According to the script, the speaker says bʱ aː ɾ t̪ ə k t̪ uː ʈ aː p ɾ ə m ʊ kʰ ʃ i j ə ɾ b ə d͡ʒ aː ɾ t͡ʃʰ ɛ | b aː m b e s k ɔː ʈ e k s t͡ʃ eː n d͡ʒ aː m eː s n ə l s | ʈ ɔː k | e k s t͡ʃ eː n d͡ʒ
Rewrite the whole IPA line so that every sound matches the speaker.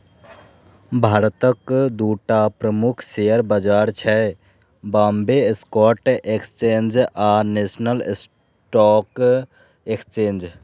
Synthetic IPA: bʱ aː ɾ t̪ ə k d̪ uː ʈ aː p ɾ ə m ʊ kʰ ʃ e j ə ɾ b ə d͡ʒ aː ɾ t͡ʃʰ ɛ | b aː m b e s k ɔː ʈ e k s t͡ʃ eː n d͡ʒ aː n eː s n ə l s | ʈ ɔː k | e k s t͡ʃ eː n d͡ʒ